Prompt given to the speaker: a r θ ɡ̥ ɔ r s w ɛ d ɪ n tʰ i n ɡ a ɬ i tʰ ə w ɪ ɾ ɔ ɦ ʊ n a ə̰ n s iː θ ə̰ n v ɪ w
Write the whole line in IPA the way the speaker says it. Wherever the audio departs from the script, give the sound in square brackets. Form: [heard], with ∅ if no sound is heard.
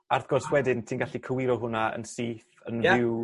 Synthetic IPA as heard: a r θ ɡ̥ ɔ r s w ɛ d ɪ n tʰ i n ɡ a ɬ i [kʰ] ə w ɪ ɾ ɔ ɦ ʊ n a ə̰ n s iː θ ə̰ n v ɪ w